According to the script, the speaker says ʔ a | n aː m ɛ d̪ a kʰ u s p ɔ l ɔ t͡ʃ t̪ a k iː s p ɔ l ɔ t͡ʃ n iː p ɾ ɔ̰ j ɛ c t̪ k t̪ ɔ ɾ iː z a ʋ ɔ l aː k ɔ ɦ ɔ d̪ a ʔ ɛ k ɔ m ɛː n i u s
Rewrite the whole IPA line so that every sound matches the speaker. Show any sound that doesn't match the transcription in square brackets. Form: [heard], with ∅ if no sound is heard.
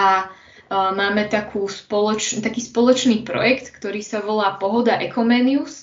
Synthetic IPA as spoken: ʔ a | [m] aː m ɛ [t̪] a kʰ [uː] s p ɔ l ɔ t͡ʃ t̪ a k iː s p ɔ l ɔ t͡ʃ n iː p ɾ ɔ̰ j ɛ [k] t̪ k t̪ ɔ ɾ iː [s] a ʋ ɔ l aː [p] ɔ ɦ ɔ d̪ a ʔ ɛ k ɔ m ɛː n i u s